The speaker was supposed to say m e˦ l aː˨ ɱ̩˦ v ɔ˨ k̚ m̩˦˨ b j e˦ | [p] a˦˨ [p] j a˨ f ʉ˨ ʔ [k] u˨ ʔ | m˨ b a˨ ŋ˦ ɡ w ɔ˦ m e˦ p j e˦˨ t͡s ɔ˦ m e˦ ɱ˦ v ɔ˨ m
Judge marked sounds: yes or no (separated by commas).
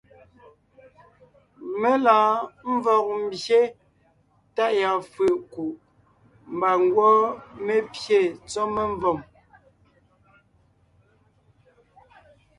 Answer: no, no, yes